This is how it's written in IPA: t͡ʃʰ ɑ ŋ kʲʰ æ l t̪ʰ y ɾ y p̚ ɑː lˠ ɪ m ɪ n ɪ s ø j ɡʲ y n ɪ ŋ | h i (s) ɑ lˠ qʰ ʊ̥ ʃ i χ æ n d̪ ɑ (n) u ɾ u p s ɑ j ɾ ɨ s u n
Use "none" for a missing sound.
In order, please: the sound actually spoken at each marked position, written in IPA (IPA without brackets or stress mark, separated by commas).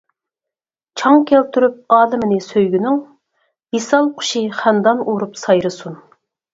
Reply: s, n